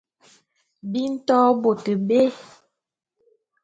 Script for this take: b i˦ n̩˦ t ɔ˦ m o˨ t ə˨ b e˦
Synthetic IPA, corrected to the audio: b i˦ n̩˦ t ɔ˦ b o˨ t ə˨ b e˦